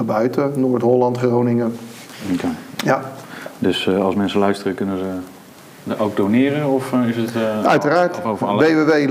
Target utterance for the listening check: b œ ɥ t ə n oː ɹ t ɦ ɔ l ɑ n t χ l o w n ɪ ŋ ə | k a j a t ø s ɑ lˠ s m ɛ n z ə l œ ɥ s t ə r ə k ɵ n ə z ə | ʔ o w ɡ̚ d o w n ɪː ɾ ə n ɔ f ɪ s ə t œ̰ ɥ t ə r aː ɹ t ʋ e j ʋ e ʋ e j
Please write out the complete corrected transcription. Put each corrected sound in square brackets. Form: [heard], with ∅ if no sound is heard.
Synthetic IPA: b œ ɥ t ə n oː ɹ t ɦ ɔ l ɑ n t χ [r] o w n ɪ ŋ ə | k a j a [d] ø s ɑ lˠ s m ɛ n [s] ə l œ ɥ s t ə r ə k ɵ n ə z ə | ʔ o w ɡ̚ d o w n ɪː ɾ ə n ɔ f ɪ s ə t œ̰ ɥ t ə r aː ɹ t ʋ e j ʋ e ʋ e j